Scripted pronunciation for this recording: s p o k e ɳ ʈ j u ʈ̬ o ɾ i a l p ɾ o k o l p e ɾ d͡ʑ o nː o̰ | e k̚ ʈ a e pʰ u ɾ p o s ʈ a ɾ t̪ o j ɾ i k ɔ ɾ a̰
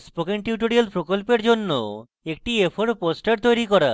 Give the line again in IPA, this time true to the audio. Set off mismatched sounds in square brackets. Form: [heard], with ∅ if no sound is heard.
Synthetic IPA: s p o k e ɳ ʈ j u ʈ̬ o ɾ i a l p ɾ o k o l p e ɾ d͡ʑ o nː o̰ | e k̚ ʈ [i] e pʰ [o] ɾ p o s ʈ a ɾ t̪ o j ɾ i k ɔ ɾ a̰